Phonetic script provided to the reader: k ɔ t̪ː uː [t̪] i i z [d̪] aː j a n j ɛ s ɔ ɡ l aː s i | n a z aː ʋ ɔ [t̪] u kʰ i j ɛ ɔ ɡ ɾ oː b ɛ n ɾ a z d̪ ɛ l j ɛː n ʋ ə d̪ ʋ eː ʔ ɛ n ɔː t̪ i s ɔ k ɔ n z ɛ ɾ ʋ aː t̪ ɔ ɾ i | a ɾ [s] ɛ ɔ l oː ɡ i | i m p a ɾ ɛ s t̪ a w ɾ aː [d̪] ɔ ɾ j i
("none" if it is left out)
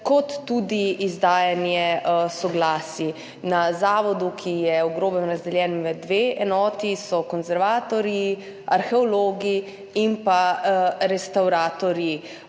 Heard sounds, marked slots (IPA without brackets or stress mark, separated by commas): d̪, d̪, d̪, x, t̪